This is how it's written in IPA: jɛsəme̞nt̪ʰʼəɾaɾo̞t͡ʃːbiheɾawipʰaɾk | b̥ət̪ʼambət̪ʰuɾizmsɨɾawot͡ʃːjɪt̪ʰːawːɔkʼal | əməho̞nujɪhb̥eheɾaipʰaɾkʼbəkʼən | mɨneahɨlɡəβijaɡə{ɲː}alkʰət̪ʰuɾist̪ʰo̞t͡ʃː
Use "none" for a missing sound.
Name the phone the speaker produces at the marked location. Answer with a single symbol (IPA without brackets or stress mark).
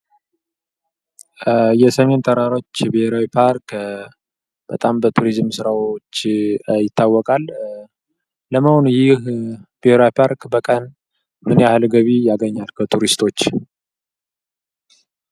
ɲː